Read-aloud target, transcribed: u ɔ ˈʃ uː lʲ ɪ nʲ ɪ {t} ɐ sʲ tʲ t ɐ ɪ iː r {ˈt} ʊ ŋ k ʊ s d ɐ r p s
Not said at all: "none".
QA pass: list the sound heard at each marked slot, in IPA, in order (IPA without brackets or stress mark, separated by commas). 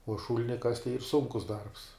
k, s